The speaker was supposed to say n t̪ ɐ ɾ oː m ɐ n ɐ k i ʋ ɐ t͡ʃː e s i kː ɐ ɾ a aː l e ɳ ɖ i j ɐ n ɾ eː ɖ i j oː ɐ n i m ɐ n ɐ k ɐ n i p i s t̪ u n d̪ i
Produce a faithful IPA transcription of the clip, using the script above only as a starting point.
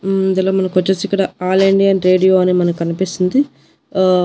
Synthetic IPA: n d̪ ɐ l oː m ɐ n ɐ k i ʋ ɐ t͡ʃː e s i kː ɐ ɽ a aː l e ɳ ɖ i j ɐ n ɾ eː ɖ i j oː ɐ n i m ɐ n ɐ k ɐ n i p i s t̪ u n d̪ i